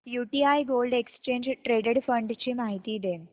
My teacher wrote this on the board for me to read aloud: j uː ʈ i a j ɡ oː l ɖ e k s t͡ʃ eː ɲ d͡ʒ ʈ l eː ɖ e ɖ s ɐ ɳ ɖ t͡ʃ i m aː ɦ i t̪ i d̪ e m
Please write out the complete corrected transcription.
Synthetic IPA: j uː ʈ i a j ɡ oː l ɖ e k s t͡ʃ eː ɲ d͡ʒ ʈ ɾ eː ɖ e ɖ f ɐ ɳ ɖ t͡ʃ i m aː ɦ i t̪ i d̪ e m